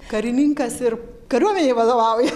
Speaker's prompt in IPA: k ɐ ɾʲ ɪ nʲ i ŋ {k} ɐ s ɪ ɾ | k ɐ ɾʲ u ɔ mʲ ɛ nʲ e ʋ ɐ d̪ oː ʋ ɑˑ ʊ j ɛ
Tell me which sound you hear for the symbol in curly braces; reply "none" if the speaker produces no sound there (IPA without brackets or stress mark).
k